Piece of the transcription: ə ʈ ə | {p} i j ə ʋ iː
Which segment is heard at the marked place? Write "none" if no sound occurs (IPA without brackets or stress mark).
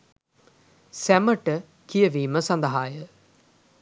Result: k